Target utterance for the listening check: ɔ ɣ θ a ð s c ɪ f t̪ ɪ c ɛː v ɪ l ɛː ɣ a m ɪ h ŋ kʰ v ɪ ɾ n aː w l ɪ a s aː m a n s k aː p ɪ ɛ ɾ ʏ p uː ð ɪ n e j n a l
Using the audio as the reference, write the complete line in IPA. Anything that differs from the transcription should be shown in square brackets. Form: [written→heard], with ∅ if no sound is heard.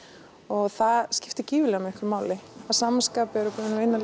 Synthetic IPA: ɔ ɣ θ a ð s c ɪ f t̪ ɪ c [ɛː→iː] v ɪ l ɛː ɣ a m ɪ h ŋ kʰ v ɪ ɾ [n→m] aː w l ɪ a s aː m a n s k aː p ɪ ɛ ɾ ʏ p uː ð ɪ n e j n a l